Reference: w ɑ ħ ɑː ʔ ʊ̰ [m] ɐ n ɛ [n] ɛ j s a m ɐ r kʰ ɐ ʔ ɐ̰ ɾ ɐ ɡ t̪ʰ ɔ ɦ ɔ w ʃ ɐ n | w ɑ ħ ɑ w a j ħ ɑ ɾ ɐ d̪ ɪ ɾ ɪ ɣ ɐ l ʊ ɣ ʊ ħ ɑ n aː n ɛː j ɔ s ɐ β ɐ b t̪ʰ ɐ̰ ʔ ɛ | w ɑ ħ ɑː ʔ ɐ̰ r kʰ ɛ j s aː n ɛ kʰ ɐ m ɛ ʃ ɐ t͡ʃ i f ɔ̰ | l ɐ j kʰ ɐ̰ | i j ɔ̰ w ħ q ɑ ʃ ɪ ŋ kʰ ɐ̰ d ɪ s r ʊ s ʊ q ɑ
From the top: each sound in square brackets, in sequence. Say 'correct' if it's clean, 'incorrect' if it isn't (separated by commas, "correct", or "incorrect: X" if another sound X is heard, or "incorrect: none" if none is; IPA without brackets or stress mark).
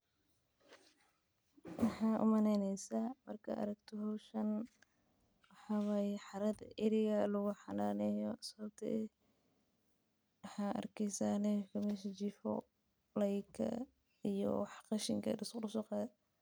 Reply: correct, correct